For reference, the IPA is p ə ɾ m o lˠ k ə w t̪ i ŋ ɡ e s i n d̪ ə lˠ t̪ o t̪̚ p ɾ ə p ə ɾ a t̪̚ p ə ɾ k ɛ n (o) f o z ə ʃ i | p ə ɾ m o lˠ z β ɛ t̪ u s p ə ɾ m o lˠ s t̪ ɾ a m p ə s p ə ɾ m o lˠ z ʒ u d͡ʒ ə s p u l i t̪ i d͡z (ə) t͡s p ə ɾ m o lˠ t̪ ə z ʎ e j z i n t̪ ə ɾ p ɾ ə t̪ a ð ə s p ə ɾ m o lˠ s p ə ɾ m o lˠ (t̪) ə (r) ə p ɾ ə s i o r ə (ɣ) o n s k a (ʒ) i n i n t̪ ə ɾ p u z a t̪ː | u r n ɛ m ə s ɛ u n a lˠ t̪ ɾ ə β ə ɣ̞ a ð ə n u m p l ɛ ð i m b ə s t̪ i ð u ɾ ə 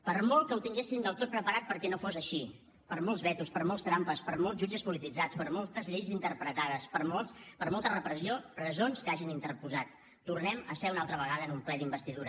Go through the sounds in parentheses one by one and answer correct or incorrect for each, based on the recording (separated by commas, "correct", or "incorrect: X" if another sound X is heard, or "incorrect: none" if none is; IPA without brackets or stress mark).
correct, incorrect: a, correct, correct, incorrect: z, correct